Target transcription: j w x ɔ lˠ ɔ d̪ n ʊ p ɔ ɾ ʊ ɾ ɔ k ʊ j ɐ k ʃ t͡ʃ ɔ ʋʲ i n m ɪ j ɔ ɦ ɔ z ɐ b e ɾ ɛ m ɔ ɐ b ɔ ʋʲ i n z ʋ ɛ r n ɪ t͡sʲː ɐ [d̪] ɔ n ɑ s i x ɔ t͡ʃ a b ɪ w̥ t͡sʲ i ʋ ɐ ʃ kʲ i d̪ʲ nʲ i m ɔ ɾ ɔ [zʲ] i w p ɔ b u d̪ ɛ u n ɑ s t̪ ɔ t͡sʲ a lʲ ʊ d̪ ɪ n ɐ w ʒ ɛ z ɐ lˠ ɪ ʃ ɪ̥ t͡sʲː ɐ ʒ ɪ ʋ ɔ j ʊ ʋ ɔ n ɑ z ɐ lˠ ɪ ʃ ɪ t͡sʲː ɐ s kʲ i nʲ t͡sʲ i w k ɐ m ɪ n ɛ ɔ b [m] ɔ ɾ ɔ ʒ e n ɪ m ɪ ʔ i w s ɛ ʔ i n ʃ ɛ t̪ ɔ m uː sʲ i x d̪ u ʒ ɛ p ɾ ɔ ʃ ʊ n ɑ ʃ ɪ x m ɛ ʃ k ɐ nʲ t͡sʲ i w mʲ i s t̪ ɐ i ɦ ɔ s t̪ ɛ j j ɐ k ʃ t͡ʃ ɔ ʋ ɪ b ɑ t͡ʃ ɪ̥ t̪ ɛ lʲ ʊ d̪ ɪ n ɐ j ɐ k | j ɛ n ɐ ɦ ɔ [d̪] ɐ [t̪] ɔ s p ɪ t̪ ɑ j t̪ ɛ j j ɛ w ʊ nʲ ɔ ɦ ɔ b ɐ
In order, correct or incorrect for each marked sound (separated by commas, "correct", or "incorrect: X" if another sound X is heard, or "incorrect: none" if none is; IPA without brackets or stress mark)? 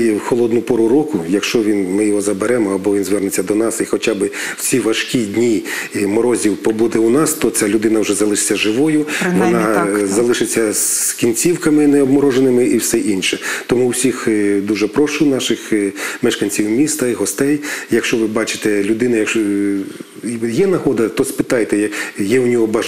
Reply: correct, correct, correct, correct, correct